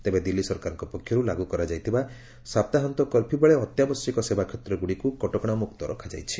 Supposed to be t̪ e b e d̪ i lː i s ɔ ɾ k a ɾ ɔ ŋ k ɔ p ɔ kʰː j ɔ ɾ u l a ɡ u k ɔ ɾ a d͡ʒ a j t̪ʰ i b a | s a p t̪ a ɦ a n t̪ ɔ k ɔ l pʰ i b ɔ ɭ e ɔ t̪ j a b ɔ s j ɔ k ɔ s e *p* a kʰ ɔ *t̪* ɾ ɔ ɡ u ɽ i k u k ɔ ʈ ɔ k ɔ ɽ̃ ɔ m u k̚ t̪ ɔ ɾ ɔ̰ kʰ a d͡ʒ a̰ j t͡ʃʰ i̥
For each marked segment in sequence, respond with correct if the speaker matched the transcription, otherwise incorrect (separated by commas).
incorrect, correct